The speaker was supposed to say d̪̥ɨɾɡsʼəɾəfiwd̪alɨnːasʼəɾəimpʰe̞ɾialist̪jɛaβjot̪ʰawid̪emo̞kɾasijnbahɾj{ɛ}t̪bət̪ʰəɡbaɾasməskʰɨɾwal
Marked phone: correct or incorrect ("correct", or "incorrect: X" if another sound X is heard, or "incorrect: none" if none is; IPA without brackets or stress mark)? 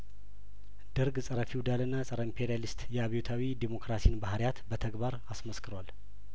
incorrect: a